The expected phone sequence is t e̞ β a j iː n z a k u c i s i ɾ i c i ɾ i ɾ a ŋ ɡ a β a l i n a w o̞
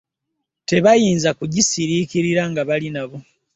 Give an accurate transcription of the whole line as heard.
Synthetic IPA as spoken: t e̞ β a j iː n z a k u ɟ i s i ɾ i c i ɾ i ɾ a ŋ ɡ a β a l i n a β o̞